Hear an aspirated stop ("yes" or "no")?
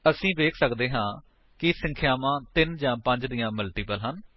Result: yes